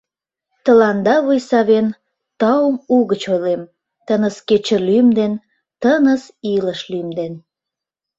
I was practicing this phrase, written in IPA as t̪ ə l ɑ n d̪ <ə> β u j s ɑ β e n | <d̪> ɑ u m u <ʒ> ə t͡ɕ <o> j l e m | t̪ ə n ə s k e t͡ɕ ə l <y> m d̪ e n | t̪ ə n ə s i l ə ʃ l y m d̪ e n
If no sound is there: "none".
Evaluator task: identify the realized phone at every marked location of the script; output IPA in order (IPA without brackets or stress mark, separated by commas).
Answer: ɑ, t̪, ɣ, o, y